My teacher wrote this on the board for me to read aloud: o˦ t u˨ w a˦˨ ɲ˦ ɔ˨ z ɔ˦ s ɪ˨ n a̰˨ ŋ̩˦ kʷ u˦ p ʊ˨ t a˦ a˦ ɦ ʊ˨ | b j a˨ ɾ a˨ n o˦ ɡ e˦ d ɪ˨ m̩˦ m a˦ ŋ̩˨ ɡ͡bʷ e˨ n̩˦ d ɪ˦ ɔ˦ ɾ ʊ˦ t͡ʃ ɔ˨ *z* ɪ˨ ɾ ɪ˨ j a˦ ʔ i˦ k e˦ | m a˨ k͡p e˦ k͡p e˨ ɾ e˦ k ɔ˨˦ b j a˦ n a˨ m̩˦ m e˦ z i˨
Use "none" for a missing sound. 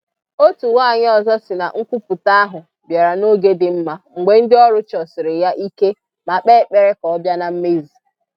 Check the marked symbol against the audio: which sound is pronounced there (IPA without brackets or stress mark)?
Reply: s